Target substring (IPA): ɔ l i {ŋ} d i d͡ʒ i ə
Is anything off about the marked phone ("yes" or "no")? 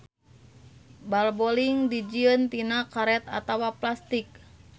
no